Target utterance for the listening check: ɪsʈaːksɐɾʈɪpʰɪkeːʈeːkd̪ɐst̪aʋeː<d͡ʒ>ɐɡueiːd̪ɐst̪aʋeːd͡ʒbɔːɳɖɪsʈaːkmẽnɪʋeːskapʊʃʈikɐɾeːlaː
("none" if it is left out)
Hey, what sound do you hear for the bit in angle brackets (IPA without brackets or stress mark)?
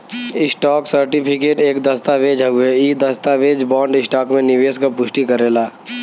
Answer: d͡ʒ